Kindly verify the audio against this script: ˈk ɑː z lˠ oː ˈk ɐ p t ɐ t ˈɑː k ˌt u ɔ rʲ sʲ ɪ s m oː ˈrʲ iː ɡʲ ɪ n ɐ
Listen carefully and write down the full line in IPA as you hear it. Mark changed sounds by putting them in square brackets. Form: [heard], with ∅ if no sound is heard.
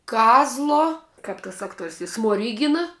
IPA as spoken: ˈk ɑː z lˠ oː ˈk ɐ p t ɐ [s] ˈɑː k ˌt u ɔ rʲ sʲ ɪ s m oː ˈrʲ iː ɡʲ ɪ n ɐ